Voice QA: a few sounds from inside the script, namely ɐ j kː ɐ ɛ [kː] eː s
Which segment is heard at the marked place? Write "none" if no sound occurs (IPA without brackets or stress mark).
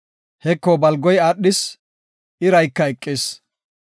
kʼː